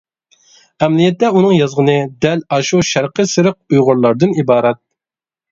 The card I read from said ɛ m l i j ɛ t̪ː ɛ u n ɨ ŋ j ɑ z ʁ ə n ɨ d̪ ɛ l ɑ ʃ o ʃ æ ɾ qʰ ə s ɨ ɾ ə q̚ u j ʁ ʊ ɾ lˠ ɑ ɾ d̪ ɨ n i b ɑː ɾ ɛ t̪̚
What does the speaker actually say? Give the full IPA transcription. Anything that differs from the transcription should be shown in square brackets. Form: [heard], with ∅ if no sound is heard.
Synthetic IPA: ɛ m l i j ɛ t̪ː ɛ u n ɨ ŋ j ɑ z ʁ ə n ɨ d̪ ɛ l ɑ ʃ [u] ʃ æ ɾ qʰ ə s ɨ ɾ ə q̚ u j ʁ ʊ ɾ lˠ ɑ ɾ d̪ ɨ n i b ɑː ɾ ɛ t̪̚